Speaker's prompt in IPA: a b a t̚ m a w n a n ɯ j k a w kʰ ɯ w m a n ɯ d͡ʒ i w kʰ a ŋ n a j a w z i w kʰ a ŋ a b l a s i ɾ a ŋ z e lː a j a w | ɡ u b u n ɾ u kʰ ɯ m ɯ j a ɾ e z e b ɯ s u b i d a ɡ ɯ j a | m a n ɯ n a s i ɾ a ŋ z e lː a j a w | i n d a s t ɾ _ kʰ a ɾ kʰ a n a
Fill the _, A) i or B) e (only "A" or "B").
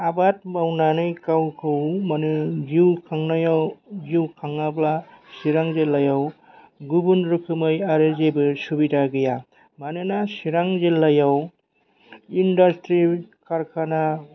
A